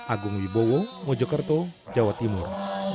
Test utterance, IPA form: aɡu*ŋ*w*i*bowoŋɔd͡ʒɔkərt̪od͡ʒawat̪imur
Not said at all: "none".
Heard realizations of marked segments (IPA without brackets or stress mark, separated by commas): ŋ, i